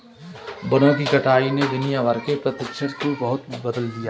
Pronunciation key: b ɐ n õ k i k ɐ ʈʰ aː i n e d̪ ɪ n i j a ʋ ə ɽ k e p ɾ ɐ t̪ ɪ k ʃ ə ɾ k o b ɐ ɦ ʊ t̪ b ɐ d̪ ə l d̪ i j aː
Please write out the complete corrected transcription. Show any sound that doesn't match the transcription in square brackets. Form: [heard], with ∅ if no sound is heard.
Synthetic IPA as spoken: b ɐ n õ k i k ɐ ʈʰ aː i n e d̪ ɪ n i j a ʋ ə [ɾ] k e p ɾ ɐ t̪ ɪ k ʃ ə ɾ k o b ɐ ɦ ʊ t̪ b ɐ d̪ ə l d̪ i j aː